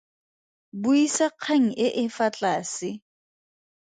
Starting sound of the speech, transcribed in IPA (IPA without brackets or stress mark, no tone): b